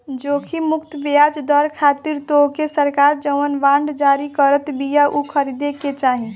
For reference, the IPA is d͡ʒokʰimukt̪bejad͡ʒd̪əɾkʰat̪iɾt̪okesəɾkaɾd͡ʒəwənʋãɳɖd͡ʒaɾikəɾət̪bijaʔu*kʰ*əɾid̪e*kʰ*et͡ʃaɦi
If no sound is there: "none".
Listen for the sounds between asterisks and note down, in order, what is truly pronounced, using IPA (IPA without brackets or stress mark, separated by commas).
kʰ, k